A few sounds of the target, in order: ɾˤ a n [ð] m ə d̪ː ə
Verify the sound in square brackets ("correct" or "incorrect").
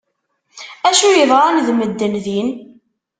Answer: correct